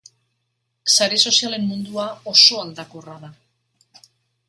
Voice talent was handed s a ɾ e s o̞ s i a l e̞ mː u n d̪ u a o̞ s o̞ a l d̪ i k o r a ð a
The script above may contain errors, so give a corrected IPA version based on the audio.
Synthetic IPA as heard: s a ɾ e s o̞ s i a l e̞ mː u n d̪ u a o̞ s o̞ a l d̪ a k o r a ð a